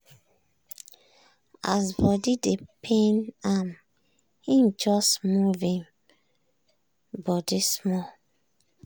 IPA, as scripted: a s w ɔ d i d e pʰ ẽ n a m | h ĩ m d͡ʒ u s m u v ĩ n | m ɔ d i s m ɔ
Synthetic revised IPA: a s b ɔ d i d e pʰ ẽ n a m | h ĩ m d͡ʒ ɔ s m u v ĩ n | b ɔ d i s m ɔ